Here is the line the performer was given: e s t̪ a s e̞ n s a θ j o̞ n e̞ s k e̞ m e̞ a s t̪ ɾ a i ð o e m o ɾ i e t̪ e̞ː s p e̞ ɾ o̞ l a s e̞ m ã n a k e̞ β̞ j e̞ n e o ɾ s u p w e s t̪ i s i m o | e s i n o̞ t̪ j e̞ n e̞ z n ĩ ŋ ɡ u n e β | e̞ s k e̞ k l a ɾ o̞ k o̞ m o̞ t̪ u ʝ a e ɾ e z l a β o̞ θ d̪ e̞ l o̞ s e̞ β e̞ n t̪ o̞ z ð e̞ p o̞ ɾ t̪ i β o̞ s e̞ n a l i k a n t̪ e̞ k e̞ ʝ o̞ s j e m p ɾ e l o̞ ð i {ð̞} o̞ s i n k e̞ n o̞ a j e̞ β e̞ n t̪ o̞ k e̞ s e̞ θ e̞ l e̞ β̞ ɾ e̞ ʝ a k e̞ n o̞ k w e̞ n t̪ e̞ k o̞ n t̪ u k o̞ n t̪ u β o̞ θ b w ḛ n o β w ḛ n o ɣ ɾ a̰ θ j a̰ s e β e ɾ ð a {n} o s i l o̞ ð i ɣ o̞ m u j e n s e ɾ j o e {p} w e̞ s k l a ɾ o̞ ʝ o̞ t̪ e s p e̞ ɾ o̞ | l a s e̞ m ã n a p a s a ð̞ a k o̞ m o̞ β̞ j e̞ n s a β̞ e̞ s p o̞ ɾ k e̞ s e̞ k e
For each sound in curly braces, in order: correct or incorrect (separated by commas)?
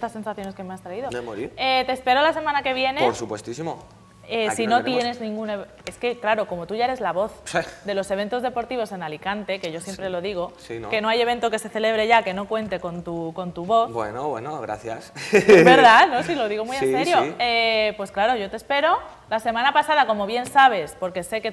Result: incorrect, correct, correct